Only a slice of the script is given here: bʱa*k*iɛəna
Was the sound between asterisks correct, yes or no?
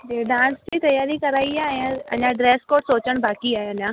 yes